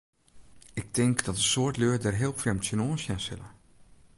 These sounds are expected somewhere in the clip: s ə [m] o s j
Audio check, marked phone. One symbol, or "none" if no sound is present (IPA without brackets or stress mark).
n